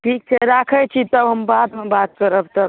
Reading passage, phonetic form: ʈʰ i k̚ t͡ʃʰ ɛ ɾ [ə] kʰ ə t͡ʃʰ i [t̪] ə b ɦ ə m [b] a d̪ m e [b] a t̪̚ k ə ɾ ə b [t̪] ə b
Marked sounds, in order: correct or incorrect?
incorrect, correct, correct, correct, correct

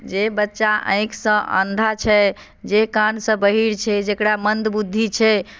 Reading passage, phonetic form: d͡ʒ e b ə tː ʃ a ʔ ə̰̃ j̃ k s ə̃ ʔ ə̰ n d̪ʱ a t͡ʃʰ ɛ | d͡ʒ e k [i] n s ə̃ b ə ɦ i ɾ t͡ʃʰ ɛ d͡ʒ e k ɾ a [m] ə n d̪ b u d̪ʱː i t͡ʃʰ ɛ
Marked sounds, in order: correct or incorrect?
incorrect, correct

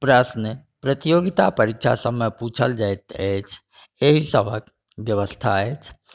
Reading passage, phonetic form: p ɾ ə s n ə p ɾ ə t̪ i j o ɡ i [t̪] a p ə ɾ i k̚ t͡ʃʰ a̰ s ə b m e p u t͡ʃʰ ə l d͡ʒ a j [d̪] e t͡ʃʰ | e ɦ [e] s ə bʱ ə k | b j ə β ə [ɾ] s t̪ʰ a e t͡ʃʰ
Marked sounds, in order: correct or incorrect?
correct, incorrect, incorrect, incorrect

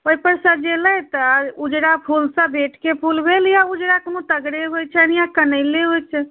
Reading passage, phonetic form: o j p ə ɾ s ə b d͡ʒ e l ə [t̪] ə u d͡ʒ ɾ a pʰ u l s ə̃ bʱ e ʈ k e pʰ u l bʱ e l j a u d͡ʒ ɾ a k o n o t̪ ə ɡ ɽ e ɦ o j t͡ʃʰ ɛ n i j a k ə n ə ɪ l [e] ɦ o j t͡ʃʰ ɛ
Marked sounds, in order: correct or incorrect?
correct, correct

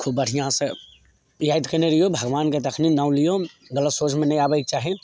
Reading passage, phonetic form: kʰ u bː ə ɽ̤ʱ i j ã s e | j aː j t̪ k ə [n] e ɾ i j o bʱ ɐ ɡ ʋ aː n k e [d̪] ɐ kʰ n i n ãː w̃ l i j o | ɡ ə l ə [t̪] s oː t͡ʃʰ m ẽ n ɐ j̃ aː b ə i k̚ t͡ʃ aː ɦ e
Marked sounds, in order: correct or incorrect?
correct, incorrect, correct

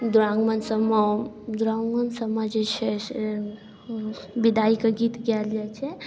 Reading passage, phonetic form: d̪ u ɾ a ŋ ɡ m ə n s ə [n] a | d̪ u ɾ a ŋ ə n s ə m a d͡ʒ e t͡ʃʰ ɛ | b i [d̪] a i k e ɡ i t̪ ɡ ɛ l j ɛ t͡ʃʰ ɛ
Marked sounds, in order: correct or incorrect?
incorrect, correct

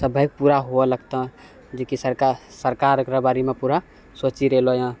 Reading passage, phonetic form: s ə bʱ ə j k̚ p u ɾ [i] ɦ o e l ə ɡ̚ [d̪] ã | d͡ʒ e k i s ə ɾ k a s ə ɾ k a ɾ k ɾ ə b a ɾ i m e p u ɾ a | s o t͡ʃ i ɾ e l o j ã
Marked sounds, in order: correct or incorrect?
incorrect, incorrect

